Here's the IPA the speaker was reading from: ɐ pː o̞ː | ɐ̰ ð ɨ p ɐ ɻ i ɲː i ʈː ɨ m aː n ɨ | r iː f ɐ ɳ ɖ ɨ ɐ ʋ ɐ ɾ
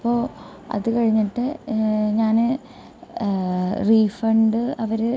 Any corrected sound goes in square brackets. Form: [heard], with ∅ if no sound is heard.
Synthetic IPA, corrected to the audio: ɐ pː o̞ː | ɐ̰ ð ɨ [k] ɐ ɻ i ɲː i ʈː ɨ [ɲ] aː n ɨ | r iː f ɐ ɳ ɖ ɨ ɐ ʋ ɐ ɾ